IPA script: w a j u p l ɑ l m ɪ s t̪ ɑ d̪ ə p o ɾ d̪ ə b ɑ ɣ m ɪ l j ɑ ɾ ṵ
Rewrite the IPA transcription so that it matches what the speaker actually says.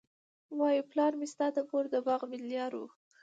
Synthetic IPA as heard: w ɑ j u p l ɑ ɾ m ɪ s t̪ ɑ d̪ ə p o ɾ d̪ ə b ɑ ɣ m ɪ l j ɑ ɾ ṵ